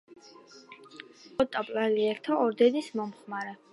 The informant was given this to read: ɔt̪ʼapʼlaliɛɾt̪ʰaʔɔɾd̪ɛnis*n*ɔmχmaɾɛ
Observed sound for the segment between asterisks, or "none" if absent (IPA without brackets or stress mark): m